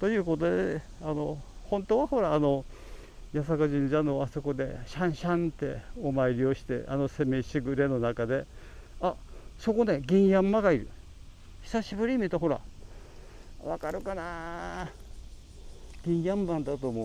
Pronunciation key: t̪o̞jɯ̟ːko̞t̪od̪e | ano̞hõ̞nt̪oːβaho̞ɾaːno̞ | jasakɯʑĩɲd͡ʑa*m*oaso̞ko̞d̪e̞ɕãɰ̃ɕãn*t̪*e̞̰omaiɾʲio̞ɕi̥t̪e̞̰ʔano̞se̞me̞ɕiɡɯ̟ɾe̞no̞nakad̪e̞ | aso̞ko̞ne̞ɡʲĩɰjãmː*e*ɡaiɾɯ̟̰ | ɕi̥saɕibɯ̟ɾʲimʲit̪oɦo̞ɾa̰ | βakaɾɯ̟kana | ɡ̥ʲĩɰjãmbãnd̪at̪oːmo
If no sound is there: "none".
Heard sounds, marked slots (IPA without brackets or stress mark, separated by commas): n, t̪, a